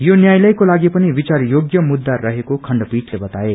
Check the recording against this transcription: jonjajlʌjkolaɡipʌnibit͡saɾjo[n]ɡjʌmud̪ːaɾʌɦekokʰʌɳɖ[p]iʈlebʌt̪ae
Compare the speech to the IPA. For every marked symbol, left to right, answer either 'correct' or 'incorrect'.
incorrect: none, correct

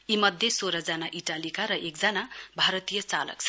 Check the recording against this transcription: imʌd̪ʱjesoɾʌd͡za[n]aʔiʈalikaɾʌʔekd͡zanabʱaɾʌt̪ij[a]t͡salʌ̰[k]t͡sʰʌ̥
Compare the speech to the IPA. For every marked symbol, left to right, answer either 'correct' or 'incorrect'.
correct, incorrect: ʌ, correct

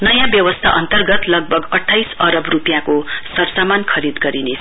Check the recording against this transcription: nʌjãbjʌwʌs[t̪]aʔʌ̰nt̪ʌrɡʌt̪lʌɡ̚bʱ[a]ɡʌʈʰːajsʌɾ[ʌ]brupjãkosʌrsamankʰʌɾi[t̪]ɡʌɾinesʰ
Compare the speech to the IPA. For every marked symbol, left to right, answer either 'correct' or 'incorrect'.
incorrect: t̪ʰ, incorrect: ʌ, correct, incorrect: d̪

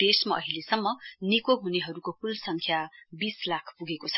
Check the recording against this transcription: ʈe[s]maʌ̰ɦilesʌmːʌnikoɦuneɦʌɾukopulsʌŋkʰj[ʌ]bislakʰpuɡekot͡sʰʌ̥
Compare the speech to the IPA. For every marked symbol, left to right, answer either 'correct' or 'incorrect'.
correct, incorrect: a

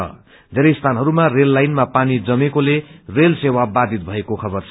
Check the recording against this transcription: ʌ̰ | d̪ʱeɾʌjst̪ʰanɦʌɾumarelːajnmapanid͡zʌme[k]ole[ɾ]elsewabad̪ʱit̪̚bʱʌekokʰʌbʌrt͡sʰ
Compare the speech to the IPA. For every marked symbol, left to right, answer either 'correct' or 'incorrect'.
correct, incorrect: r

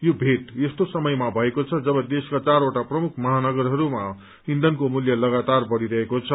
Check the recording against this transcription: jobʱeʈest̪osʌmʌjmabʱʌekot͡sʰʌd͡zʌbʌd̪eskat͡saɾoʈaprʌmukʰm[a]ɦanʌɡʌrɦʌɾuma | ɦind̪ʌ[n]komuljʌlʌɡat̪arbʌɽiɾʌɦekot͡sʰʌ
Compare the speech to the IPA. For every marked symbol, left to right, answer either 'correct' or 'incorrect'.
incorrect: ʌ, correct

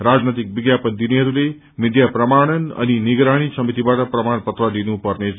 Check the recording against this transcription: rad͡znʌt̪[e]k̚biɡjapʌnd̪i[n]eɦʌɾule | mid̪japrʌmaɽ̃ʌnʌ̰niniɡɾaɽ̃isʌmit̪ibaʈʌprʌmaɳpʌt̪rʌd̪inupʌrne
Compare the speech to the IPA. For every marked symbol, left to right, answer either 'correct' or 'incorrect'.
incorrect: i, correct

